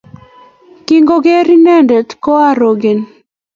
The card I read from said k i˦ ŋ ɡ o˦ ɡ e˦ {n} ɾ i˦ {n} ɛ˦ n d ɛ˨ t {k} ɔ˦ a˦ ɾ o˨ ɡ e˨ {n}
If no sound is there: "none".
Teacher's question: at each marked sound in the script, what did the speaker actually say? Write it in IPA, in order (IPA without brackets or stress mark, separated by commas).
none, n, k, n